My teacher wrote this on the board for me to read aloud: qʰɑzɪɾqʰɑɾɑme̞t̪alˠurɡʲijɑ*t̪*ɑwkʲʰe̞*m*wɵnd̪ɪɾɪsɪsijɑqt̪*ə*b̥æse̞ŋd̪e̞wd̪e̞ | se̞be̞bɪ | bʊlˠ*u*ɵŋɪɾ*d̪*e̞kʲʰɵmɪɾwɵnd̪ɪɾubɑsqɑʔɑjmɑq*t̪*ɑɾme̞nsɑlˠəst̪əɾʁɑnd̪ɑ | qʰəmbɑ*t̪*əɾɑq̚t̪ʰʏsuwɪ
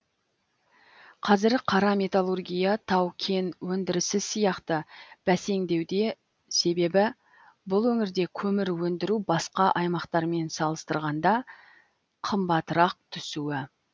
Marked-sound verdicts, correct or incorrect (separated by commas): incorrect, incorrect, correct, incorrect, correct, correct, correct